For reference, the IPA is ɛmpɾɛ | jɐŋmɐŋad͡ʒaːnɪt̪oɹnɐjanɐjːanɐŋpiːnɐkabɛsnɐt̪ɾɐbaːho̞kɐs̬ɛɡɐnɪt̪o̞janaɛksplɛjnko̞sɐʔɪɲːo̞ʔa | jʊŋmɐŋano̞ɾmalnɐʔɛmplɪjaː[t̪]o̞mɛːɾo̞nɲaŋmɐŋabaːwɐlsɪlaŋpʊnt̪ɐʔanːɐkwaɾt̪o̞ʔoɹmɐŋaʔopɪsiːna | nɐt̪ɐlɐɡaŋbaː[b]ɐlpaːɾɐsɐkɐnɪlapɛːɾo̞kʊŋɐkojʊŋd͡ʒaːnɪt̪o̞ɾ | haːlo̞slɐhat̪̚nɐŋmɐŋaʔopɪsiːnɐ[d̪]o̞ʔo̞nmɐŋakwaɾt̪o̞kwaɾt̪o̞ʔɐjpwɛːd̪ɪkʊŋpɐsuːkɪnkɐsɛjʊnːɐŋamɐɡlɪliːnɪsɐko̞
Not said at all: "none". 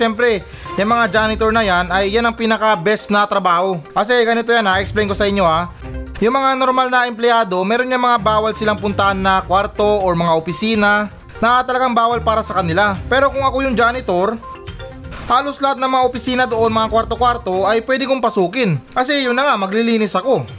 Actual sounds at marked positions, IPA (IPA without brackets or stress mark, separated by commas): d̪, w, d̪